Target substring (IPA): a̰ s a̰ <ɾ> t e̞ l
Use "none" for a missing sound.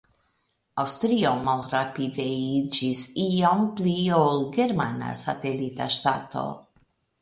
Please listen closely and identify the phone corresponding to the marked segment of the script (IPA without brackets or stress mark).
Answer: none